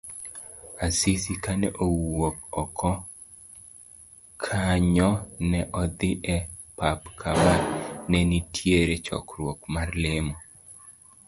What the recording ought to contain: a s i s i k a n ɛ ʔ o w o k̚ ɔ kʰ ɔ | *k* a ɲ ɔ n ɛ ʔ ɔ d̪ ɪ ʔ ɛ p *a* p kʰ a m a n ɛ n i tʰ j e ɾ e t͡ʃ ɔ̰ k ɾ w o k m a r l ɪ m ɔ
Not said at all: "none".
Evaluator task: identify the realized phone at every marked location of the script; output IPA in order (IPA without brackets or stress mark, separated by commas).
kʰ, a